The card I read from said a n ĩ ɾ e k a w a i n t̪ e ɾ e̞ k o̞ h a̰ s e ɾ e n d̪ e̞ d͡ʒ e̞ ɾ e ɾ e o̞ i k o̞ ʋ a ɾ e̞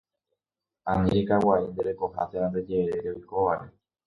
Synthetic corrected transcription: a n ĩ ɾ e k a w a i n d̪ e ɾ e̞ k o̞ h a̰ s e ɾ a n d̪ e̞ d͡ʒ e̞ ɾ e ɾ e o̞ j k o̞ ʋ a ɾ e̞